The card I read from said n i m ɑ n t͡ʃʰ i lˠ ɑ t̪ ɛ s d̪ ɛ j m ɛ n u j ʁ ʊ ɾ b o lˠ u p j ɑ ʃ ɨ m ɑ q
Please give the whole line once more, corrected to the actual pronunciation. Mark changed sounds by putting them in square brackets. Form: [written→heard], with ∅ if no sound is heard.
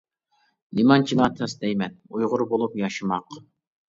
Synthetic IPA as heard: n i m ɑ n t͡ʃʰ i lˠ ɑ [t̪→t̪ʰ] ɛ s d̪ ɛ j m ɛ n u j ʁ ʊ ɾ b o lˠ u p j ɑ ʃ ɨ m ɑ q